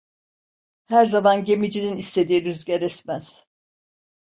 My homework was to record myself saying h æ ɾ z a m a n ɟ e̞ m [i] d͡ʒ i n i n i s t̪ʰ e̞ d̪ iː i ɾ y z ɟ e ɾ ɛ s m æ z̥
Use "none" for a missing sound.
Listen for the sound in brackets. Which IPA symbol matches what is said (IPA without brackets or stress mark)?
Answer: i